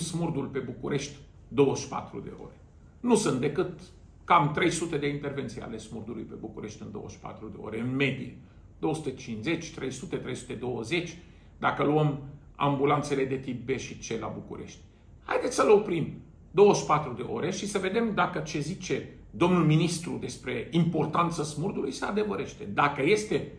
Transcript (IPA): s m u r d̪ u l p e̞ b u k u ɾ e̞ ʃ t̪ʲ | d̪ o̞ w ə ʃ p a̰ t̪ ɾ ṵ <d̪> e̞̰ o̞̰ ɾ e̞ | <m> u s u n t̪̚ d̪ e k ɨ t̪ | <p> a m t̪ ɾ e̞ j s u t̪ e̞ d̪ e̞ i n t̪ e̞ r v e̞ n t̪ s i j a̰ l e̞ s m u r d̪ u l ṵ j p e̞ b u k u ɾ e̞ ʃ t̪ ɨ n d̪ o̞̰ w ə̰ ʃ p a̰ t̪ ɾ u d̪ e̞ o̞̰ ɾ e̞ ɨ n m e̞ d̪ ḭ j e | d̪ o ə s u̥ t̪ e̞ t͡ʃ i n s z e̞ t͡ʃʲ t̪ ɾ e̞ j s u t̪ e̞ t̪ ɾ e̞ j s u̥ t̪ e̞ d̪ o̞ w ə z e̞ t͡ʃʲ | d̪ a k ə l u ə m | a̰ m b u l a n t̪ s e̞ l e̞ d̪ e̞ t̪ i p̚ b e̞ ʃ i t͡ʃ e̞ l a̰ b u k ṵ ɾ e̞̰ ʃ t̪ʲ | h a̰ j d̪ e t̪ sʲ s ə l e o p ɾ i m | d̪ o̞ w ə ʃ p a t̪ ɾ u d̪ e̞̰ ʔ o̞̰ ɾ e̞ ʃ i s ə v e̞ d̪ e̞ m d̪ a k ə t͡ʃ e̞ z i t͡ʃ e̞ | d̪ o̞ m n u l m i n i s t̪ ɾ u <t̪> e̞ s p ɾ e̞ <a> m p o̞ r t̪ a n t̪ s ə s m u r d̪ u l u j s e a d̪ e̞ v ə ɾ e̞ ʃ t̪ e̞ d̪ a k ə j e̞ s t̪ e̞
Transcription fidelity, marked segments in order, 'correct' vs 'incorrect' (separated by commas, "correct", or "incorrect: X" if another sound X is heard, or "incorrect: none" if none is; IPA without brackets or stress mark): correct, incorrect: n, incorrect: k, incorrect: d̪, incorrect: i